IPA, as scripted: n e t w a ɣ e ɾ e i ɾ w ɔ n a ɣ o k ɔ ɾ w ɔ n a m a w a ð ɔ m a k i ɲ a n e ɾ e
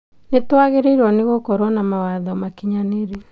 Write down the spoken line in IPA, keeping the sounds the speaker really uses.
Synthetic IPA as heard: n e t w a ɣ e ɾ e i ɾ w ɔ n e ɣ o k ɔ ɾ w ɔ n a m a w a ð ɔ m a k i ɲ a n e ɾ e